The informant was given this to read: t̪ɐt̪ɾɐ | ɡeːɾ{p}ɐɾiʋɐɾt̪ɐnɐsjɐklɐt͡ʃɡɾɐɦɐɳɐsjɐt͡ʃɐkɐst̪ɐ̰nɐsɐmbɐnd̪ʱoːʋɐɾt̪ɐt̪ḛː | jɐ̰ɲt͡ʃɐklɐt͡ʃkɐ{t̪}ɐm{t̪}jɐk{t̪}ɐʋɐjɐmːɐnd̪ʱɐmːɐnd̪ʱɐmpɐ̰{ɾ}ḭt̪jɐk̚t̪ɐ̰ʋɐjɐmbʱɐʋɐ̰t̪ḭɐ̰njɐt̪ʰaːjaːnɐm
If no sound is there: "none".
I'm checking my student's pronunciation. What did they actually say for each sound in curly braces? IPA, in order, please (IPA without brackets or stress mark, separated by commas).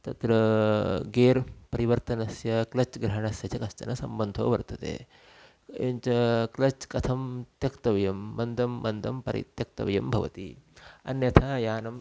p, t̪ʰ, t̪, t̪, ɾ